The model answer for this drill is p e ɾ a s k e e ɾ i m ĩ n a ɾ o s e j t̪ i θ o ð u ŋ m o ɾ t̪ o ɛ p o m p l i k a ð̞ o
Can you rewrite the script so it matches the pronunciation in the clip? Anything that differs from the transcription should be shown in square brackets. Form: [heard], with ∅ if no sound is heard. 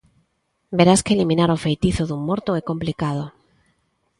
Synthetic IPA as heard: [b] e ɾ a s k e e [l] i m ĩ n a ɾ o [f] e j t̪ i θ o ð u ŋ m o ɾ t̪ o ɛ [k] o m p l i k a ð̞ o